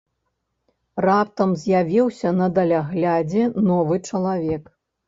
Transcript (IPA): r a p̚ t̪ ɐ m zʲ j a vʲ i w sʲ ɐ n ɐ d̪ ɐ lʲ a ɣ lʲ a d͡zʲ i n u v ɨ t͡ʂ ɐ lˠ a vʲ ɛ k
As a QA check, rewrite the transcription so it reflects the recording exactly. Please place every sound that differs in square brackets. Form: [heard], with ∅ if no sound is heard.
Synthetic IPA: r a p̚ t̪ ɐ m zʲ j a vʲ i w sʲ ɐ n ɐ d̪ ɐ lʲ a ɣ lʲ a d͡zʲ [ɛ] n [ɔ] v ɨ t͡ʂ ɐ lˠ a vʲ ɛ k